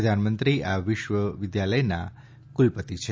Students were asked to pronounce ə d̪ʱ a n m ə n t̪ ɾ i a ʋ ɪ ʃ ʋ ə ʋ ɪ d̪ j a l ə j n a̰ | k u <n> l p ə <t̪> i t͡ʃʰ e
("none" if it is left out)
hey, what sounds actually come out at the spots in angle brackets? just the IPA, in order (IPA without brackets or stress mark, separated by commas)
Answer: none, t̪